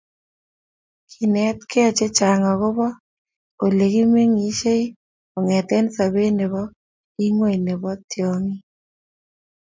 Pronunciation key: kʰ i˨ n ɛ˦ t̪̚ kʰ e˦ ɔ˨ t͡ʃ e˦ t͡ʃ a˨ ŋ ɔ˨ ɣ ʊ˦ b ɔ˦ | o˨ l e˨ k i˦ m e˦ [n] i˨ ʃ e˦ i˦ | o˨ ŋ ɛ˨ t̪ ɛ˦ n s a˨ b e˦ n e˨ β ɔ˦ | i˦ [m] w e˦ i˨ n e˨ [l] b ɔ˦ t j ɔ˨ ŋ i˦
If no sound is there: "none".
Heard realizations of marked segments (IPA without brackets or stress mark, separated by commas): ŋ, ŋ, none